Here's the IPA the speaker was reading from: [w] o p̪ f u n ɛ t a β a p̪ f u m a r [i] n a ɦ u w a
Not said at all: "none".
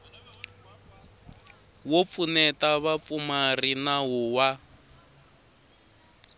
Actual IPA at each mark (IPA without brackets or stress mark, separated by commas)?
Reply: w, i